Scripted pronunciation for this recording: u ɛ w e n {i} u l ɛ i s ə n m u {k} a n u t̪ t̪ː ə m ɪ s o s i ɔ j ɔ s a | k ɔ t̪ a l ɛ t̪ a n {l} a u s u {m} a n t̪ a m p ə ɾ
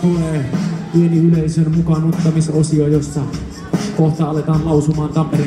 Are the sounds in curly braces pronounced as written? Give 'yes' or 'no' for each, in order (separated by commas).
yes, yes, yes, yes